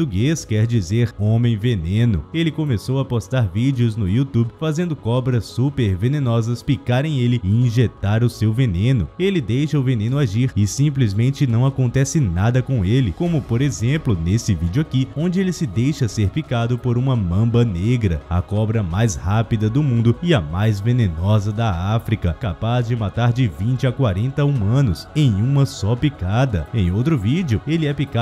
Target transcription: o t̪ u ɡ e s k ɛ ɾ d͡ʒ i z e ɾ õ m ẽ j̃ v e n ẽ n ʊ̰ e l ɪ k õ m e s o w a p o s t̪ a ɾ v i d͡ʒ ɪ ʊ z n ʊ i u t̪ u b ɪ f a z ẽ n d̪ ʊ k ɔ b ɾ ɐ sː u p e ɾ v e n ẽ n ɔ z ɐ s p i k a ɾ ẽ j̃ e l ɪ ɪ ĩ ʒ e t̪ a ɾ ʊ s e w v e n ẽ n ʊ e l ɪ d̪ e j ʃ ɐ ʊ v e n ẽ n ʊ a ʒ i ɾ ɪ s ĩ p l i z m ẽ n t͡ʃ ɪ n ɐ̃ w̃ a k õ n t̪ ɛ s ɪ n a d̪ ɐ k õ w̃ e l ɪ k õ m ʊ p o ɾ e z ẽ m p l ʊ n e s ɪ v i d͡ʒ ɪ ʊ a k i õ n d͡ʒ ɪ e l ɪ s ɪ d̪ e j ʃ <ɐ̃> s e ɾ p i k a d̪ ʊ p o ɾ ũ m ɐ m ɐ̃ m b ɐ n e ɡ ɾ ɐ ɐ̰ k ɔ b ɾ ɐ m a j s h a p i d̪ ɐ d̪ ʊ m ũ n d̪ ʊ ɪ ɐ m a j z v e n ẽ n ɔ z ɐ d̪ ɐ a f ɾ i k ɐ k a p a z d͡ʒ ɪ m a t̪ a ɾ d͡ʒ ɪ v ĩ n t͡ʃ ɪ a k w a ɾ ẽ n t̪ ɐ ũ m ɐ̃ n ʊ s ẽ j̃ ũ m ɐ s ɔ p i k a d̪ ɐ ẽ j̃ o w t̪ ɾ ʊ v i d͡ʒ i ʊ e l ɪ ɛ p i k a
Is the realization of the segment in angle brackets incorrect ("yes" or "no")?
yes